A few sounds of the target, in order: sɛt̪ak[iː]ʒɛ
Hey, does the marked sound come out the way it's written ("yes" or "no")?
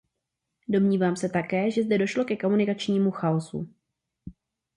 no